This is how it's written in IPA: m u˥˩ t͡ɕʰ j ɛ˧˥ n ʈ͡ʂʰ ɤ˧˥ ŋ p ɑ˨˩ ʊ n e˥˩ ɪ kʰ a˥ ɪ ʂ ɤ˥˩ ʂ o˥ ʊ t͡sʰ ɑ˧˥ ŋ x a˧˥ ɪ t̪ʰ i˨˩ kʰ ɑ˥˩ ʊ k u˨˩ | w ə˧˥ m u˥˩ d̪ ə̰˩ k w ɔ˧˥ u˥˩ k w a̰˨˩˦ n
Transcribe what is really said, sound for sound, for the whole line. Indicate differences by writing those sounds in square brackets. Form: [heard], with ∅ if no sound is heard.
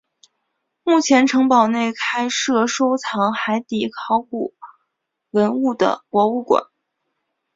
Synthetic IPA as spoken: m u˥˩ t͡ɕʰ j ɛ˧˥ n ʈ͡ʂʰ ɤ˧˥ ŋ p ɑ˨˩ ʊ n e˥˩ ɪ kʰ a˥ ɪ ʂ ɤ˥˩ ʂ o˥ ʊ t͡sʰ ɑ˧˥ ŋ x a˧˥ ɪ [t̪] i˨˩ kʰ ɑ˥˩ ʊ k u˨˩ | w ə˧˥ [n] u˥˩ d̪ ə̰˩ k w ɔ˧˥ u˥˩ k w a̰˨˩˦ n